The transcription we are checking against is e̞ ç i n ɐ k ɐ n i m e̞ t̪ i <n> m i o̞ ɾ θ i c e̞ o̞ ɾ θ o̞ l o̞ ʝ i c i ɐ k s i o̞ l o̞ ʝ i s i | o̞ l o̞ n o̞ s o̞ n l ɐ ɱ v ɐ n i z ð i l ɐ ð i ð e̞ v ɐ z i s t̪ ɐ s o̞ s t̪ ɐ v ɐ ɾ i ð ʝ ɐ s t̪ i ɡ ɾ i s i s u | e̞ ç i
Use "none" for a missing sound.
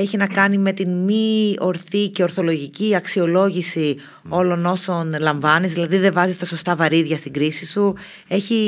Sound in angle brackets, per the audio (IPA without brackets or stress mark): n